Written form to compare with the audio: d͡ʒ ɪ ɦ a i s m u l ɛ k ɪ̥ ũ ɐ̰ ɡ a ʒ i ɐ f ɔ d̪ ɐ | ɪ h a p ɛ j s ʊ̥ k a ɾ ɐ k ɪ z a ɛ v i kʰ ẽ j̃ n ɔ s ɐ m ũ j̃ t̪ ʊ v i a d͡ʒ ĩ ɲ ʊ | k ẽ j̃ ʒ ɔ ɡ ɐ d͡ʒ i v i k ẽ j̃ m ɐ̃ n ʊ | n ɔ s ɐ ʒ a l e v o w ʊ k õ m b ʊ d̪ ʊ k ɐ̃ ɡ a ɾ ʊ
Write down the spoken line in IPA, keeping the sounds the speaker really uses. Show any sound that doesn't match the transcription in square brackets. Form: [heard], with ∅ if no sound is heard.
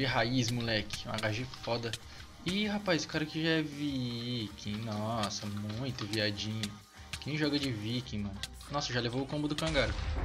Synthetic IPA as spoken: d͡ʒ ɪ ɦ a i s m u l ɛ k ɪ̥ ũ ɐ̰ ɡ a ʒ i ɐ f ɔ d̪ ɐ | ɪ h a p [a] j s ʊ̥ k a ɾ ɐ k ɪ [ʒ] a ɛ v i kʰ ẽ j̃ n ɔ s ɐ m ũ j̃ t̪ ʊ v i a d͡ʒ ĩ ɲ ʊ | k ẽ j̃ ʒ ɔ ɡ ɐ d͡ʒ [ɪ] v i k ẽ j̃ m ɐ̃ n ʊ | n ɔ s ɐ ʒ a l e v o w ʊ k õ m b ʊ d̪ ʊ k ɐ̃ ɡ a ɾ ʊ